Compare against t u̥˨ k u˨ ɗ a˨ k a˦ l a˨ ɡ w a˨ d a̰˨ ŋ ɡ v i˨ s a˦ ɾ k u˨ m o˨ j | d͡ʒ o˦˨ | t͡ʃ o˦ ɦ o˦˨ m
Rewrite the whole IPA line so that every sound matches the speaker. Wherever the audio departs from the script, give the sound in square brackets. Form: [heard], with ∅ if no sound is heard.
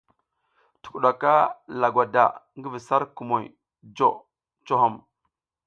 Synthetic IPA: t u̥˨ k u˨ ɗ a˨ k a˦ l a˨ ɡ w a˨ d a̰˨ ŋ ɡ v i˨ s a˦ ɾ k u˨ m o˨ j | d͡ʒ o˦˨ | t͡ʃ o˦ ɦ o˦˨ m